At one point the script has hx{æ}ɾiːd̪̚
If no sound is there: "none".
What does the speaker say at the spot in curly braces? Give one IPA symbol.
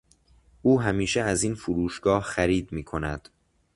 æ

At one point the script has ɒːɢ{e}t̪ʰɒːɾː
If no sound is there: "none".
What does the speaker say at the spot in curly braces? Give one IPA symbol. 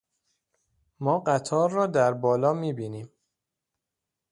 æ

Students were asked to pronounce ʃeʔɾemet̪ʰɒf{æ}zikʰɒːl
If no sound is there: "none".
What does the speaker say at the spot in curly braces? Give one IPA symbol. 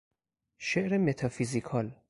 i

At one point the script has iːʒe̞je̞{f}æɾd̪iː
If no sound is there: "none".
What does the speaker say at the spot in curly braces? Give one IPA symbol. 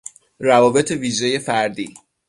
f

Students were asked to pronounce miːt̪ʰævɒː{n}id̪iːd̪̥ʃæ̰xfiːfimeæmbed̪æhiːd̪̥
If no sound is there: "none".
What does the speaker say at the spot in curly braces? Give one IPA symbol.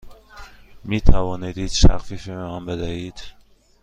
n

